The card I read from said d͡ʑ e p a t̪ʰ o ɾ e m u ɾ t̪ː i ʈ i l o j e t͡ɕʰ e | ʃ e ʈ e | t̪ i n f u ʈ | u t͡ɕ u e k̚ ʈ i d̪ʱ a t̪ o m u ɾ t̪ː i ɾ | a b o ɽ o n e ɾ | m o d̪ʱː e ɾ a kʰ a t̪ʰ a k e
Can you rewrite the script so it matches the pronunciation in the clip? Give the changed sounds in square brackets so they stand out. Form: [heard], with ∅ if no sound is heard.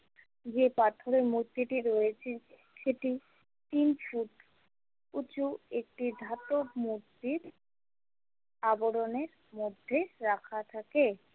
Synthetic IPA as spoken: d͡ʑ e p a t̪ʰ o ɾ e m u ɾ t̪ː i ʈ i [ɾ] o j e t͡ɕʰ e | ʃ e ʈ [i] | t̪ i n f u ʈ | u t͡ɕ u e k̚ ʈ i d̪ʱ a t̪ o m u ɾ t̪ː i ɾ | a b o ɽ o n e ɾ | m o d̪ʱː e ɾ a kʰ a t̪ʰ a k e